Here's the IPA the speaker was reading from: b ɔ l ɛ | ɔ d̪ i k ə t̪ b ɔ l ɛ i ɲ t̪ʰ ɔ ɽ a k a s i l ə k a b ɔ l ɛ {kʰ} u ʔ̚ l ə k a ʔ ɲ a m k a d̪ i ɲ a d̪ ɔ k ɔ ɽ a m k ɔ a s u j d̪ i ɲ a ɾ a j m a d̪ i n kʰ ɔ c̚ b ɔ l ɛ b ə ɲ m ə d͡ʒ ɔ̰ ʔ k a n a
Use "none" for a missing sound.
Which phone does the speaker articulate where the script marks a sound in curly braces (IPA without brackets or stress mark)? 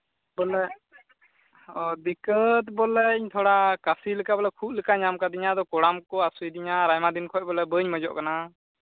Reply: kʰ